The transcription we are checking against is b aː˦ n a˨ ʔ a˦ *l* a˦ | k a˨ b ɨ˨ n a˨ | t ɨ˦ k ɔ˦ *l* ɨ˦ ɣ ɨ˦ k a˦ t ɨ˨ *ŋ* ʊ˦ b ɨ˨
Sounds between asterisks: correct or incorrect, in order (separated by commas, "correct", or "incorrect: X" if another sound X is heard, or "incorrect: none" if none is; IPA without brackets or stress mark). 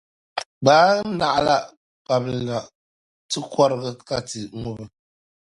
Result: correct, incorrect: ɾ, correct